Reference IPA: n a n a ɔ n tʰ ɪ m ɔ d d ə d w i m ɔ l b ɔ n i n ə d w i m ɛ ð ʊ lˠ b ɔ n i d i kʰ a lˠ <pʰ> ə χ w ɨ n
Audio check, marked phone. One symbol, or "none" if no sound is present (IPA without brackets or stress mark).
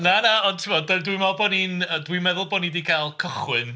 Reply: kʰ